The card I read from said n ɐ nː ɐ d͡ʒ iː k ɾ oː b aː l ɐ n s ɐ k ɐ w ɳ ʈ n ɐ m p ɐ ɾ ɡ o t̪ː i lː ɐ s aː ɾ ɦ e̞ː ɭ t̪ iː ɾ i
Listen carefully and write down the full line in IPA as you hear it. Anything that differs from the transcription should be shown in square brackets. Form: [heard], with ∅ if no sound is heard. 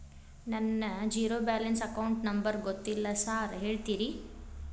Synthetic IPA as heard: n ɐ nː ɐ d͡ʒ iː [∅] ɾ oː b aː l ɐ n s ɐ k ɐ w ɳ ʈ n ɐ m [b] ɐ ɾ ɡ o t̪ː i lː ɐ s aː ɾ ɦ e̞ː ɭ t̪ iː ɾ i